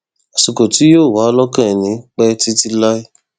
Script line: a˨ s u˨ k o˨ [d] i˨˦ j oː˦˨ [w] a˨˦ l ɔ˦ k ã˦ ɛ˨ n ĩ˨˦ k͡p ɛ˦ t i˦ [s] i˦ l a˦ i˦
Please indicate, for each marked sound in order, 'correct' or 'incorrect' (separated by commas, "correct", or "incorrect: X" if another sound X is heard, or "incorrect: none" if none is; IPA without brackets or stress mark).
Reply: incorrect: t, correct, incorrect: t